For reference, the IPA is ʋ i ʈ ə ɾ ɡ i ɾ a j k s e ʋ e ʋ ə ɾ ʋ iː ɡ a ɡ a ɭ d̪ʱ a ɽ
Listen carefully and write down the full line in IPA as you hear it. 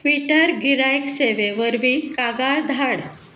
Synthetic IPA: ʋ i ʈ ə ɾ ɡ i ɾ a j k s e ʋ e ʋ ə ɾ ʋ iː k a ɡ a ɭ d̪ʱ a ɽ